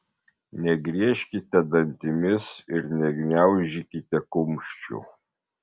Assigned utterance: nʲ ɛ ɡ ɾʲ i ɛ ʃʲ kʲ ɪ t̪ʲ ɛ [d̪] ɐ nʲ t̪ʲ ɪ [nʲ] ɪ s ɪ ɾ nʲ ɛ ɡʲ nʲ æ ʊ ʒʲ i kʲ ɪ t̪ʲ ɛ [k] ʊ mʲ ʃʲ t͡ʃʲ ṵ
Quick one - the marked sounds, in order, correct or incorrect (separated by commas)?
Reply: correct, incorrect, correct